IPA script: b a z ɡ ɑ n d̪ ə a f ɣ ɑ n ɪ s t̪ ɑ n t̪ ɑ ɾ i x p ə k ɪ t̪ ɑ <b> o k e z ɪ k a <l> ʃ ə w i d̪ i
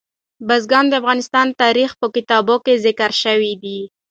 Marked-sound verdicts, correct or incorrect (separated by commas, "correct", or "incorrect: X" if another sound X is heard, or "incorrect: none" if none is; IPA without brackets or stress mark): correct, incorrect: ɾ